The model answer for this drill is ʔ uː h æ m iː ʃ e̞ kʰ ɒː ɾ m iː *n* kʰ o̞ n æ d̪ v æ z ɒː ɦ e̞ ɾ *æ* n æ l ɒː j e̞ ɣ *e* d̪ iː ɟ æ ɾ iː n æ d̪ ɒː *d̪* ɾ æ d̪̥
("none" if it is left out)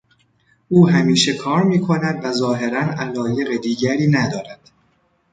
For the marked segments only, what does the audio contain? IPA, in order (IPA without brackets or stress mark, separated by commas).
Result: none, æ, e, none